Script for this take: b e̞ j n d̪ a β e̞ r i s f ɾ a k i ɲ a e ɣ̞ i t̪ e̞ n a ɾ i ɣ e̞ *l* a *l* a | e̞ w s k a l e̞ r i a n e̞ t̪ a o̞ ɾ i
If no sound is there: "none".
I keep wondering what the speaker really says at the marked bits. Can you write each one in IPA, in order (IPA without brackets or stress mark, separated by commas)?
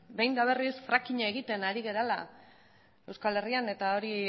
ɾ, l